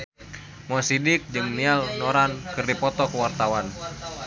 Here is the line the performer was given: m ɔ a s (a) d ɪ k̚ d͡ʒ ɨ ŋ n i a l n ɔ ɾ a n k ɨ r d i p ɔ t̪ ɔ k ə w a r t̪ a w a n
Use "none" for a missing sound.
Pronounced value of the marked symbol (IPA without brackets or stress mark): i